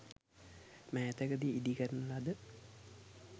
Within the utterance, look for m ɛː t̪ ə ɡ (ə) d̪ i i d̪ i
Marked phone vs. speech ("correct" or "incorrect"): correct